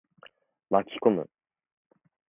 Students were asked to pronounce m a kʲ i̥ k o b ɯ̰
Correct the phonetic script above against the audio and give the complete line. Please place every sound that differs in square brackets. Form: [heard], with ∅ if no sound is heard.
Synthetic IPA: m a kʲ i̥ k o [m] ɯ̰